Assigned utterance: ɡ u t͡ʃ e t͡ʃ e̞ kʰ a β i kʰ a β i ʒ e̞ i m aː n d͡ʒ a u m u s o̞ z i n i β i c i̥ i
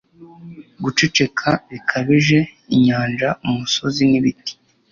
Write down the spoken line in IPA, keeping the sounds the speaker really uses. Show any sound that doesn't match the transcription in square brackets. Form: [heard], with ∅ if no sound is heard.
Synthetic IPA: ɡ u t͡ʃ e t͡ʃ e̞ kʰ a β i kʰ a β i ʒ e̞ i [ɲ] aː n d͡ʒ a u m u s o̞ z i n i β i [t] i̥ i

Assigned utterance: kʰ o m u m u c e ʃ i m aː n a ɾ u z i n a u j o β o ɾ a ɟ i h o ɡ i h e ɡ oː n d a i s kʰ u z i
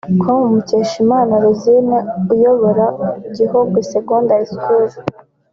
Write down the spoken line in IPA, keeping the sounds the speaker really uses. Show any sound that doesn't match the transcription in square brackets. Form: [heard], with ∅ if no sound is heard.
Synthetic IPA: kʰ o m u m u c e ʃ i m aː n a ɾ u z i n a u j o β o ɾ a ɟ i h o ɡ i [s] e ɡ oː n d a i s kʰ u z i

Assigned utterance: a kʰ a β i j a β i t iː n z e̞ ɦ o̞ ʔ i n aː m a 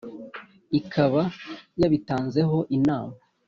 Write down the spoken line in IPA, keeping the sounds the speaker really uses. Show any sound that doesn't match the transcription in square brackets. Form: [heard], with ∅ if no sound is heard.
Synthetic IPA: [i] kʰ a β [a] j a β i t [aː] n z e̞ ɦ o̞ ʔ i n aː m a

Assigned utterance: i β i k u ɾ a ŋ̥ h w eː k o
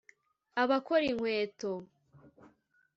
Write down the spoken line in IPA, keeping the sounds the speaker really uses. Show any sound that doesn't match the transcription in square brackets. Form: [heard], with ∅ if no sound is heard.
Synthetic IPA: [a] β [a] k [o] ɾ [i] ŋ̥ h w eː [t] o

